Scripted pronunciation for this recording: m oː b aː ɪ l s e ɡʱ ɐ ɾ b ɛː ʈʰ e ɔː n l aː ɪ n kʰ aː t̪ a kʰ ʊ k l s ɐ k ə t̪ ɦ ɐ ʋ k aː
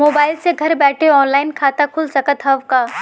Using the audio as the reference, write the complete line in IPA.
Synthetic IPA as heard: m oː b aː ɪ l s e ɡʱ ɐ ɾ b ɛː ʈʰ e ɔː n l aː ɪ n kʰ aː t̪ a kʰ ʊ l s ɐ k ə t̪ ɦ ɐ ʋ k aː